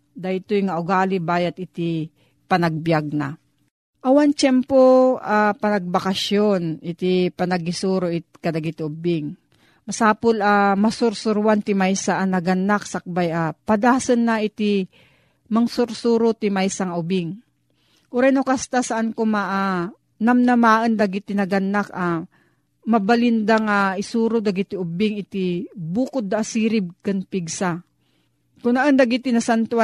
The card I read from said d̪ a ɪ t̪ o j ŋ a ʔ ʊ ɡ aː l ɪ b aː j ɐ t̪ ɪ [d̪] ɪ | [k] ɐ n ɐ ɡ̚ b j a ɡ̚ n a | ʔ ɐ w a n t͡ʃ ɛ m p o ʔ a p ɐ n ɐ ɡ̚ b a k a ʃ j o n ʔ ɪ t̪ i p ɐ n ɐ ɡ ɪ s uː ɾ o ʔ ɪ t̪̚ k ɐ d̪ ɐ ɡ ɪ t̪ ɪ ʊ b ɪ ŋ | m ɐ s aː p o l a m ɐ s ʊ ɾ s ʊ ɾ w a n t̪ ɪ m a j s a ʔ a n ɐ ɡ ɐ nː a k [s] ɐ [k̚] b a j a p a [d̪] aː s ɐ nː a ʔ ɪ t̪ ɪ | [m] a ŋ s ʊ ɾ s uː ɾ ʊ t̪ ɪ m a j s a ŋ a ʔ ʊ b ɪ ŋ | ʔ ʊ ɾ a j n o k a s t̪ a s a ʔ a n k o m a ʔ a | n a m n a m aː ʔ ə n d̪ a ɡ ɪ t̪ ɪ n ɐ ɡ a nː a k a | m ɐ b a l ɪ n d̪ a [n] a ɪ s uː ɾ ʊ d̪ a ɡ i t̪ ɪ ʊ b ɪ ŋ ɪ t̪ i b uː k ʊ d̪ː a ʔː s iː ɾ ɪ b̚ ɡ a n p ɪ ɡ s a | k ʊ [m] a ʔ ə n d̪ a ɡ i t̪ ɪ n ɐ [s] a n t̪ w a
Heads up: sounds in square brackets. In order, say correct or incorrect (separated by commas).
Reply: incorrect, incorrect, correct, correct, correct, correct, incorrect, incorrect, correct